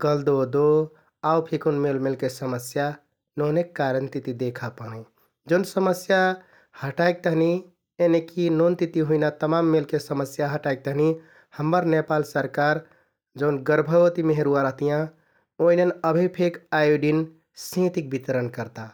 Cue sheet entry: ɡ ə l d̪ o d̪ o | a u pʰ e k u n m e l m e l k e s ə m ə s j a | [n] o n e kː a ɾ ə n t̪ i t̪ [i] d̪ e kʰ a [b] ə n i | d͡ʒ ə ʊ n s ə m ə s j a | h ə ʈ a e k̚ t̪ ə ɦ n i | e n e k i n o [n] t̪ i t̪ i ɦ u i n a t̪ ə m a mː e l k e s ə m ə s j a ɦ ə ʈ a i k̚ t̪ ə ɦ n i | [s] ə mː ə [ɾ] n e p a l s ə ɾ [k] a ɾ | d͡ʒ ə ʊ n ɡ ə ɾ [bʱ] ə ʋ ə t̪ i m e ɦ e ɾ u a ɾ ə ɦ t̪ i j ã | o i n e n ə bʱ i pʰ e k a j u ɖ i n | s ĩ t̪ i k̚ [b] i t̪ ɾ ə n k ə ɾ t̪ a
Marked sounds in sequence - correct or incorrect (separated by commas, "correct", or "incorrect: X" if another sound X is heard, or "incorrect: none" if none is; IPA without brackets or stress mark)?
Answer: correct, correct, incorrect: p, correct, incorrect: h, correct, correct, correct, correct